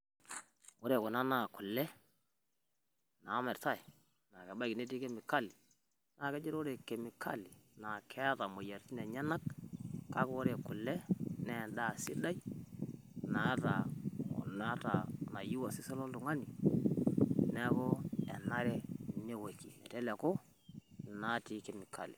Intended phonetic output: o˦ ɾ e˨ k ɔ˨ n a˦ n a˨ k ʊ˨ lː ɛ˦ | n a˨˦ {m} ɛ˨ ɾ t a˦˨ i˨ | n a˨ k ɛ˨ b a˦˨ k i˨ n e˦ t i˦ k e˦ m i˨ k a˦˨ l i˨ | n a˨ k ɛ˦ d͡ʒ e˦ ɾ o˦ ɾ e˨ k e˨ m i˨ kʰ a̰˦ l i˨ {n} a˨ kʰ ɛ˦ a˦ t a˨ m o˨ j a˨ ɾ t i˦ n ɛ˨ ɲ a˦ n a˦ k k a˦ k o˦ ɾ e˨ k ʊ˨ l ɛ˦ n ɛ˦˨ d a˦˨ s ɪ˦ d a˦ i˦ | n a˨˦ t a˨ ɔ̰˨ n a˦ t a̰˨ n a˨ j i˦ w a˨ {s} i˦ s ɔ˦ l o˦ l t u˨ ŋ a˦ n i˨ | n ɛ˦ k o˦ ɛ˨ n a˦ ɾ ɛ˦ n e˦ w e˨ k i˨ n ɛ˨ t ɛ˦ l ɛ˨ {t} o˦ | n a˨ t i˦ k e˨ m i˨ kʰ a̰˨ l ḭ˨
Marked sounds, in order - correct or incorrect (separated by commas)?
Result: correct, correct, correct, incorrect